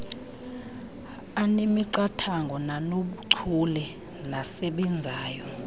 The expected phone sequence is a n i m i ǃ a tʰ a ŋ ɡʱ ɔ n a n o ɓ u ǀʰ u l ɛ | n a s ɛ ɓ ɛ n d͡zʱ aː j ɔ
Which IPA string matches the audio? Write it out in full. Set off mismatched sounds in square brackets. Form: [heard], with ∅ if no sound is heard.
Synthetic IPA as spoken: a n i m i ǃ a tʰ a ŋ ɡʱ ɔ n a n o ɓ u ǀʰ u l ɛ | n a s ɛ ɓ ɛ n d͡zʱ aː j ɔ